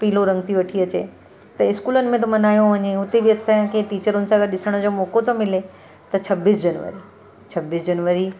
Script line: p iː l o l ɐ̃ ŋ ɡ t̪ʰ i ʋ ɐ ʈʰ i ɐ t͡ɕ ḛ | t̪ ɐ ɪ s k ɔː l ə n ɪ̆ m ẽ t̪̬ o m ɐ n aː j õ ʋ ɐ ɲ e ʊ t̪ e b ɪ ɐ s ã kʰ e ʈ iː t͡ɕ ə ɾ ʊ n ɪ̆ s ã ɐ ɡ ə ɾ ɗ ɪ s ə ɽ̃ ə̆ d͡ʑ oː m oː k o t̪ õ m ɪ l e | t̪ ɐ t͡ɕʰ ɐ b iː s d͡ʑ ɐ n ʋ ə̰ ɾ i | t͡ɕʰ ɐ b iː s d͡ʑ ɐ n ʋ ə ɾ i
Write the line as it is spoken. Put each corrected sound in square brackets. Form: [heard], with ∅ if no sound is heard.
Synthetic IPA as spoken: p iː l o [ɾ] ɐ̃ ŋ ɡ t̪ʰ i ʋ ɐ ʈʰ i ɐ t͡ɕ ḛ | t̪ ɐ ɪ s k [uː] l ə n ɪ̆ m ẽ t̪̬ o m ɐ n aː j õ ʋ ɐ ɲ e ʊ t̪ e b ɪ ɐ s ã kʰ e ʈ iː t͡ɕ ə ɾ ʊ n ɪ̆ s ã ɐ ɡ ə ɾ ɗ ɪ s ə ɽ̃ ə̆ d͡ʑ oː m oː k o t̪ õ m ɪ l e | t̪ ɐ t͡ɕʰ ɐ b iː s d͡ʑ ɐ n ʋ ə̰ ɾ i | t͡ɕʰ ɐ b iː s d͡ʑ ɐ n ʋ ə ɾ i